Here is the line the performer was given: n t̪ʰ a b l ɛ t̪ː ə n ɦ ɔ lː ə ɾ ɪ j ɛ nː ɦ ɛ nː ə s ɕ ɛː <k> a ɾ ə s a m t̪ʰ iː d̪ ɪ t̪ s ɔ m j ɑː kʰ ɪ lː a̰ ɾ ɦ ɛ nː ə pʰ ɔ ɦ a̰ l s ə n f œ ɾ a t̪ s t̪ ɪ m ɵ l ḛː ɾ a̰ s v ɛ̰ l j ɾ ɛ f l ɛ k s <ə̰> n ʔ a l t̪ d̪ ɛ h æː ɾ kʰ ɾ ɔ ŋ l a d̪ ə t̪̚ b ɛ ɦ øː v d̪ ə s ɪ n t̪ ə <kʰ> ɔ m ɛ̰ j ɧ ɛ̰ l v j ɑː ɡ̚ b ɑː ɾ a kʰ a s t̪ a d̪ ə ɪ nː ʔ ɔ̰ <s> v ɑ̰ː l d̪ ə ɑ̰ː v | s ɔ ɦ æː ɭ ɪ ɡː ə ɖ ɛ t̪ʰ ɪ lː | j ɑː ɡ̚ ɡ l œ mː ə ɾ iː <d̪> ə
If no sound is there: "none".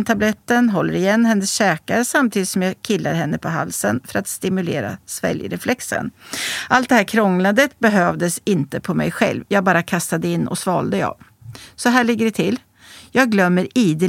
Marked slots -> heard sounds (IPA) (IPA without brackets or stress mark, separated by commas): k, ə̰, pʰ, s, d̪